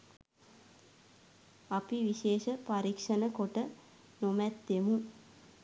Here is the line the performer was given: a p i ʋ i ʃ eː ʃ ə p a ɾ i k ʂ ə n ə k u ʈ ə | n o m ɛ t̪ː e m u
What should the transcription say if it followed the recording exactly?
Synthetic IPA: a p i ʋ i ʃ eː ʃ ə p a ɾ i k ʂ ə n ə k o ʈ ə | n o m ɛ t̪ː e m u